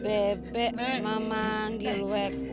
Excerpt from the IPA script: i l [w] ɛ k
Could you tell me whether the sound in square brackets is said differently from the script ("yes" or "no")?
no